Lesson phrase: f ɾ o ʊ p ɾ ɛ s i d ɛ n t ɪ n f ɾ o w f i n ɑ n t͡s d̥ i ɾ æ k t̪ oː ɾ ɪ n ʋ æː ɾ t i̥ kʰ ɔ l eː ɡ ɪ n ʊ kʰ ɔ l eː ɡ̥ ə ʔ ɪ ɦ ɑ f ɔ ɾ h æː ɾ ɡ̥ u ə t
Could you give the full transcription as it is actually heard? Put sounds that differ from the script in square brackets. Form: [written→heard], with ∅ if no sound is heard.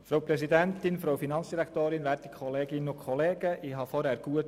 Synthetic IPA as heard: f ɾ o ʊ p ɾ ɛ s i d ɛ n t ɪ n f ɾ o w f i n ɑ n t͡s d̥ i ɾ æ k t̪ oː ɾ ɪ n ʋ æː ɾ t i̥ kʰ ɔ l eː ɡ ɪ n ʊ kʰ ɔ l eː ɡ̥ ə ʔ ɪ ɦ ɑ f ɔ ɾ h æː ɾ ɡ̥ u ə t